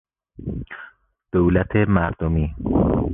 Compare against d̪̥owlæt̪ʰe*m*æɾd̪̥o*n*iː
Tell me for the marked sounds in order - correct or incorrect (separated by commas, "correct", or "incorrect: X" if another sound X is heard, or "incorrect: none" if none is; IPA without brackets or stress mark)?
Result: correct, incorrect: m